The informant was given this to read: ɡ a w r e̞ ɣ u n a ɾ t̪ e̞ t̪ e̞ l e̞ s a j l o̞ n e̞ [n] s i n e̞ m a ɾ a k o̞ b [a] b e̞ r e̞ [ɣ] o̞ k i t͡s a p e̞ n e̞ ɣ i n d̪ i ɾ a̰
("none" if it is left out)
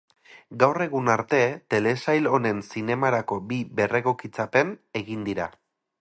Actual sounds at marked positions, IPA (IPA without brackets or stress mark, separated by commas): n, i, ɣ